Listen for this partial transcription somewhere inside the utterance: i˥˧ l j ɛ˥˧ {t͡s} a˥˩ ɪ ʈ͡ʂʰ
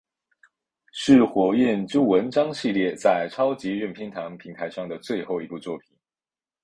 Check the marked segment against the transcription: correct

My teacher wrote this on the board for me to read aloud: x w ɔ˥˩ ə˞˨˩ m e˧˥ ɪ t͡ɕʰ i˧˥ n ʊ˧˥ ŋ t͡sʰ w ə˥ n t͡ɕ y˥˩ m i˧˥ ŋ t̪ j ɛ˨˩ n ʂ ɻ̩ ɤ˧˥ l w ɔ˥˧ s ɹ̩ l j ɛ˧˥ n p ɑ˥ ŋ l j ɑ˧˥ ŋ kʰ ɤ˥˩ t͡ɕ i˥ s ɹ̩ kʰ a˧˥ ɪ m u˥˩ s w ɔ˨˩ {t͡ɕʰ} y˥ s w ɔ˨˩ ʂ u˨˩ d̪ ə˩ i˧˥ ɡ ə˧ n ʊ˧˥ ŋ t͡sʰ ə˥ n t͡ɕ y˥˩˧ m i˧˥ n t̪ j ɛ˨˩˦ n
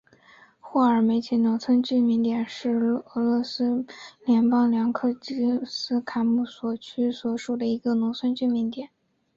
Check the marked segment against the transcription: correct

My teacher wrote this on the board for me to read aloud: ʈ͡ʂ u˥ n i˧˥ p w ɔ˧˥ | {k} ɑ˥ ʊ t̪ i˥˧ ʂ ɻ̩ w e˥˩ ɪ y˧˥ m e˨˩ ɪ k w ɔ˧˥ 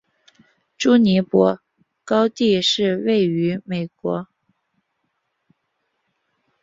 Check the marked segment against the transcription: correct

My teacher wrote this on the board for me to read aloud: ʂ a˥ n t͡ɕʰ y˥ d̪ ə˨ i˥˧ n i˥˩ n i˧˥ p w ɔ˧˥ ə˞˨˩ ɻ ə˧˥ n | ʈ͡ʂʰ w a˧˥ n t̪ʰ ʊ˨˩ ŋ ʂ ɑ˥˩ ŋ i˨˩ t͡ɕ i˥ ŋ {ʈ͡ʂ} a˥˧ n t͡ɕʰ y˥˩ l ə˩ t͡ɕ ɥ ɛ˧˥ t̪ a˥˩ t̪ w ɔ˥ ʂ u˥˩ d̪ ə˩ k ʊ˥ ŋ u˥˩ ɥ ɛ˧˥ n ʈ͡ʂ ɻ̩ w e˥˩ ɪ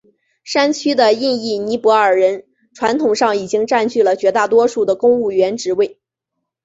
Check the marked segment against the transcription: correct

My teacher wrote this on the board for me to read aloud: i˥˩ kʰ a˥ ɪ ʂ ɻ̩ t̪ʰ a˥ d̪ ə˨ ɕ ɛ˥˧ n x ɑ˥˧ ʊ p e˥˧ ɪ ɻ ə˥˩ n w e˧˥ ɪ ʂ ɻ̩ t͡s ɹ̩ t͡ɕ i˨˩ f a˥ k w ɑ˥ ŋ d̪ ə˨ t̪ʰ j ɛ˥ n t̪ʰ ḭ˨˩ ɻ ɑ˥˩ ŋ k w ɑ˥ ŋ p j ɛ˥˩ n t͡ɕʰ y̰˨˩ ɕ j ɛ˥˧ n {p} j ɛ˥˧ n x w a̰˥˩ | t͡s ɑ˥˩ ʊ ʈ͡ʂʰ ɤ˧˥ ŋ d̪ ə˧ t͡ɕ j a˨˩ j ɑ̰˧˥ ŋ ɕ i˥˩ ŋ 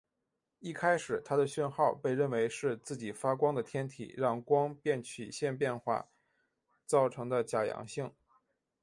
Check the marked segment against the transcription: correct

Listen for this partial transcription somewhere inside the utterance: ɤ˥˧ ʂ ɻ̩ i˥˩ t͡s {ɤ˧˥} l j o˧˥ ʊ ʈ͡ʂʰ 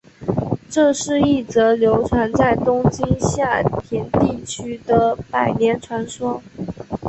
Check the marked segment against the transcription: correct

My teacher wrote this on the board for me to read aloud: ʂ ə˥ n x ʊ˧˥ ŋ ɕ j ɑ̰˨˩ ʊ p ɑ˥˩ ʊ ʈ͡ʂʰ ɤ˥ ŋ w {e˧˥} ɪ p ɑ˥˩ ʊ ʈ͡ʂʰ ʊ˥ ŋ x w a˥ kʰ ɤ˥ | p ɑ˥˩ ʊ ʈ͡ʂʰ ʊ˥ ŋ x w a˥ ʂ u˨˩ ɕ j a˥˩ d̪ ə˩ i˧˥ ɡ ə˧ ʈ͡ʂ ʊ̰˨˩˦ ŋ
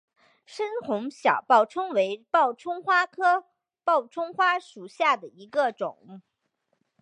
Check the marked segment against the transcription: correct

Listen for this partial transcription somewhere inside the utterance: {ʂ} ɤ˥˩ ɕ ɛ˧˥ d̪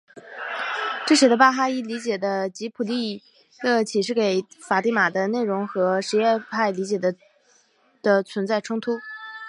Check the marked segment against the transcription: incorrect: ʈ͡ʂ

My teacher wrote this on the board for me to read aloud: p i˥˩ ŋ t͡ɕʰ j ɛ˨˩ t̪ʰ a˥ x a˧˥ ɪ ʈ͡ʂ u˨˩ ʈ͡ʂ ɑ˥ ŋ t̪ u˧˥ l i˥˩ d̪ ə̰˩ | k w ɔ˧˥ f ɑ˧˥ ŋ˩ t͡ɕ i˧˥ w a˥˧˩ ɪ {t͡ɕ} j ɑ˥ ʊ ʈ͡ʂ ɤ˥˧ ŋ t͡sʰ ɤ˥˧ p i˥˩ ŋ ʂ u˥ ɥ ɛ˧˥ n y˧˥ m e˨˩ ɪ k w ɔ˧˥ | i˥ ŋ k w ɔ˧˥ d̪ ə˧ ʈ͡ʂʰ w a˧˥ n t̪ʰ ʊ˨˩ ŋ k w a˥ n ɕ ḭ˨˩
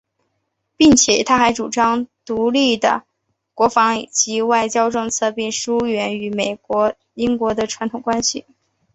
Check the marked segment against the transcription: correct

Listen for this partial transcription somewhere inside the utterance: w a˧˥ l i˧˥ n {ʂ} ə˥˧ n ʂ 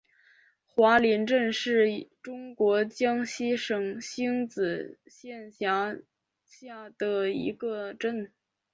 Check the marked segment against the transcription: incorrect: ʈ͡ʂ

